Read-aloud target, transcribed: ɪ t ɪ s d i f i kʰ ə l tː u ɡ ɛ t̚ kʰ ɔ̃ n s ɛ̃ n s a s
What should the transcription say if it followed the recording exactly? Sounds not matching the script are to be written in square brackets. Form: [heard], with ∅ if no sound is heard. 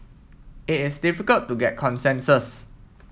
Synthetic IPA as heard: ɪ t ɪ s d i f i [k] ə l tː u ɡ ɛ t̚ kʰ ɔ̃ n s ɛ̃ n s [ə] s